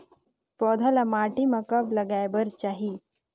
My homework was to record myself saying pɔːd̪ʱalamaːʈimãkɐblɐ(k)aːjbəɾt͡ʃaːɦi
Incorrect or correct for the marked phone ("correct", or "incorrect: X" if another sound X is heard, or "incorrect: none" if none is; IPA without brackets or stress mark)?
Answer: incorrect: ɡ